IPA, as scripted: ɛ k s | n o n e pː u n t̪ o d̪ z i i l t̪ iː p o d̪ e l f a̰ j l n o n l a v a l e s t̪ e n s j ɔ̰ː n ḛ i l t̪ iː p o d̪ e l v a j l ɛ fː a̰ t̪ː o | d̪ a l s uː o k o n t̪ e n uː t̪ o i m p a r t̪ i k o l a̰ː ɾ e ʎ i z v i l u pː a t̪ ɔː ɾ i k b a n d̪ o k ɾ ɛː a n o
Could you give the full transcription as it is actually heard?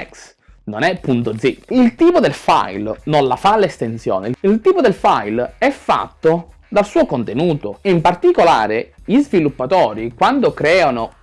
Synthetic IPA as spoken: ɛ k s | n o n ɛ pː u n t̪ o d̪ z i i l t̪ iː p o d̪ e l f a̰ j l n o n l a f a l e s t̪ e n s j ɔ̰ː n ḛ i l t̪ iː p o d̪ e l f a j l ɛ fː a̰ t̪ː o | d̪ a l s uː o k o n t̪ e n uː t̪ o i m p a r t̪ i k o l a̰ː ɾ e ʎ i z v i l u pː a t̪ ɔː ɾ i k w a n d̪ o k ɾ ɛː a n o